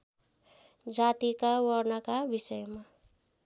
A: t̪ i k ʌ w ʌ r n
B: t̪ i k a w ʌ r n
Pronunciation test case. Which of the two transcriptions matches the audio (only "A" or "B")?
B